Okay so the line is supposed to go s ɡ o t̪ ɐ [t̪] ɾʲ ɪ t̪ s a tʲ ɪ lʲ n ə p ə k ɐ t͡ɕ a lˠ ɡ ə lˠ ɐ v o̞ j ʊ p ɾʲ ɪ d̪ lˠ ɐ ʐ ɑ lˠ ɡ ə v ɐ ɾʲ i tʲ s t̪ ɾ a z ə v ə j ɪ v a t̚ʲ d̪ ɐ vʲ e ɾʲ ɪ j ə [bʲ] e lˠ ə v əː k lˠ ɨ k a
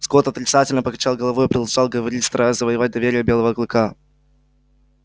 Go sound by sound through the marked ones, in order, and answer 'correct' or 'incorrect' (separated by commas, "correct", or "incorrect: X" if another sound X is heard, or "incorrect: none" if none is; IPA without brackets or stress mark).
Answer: correct, correct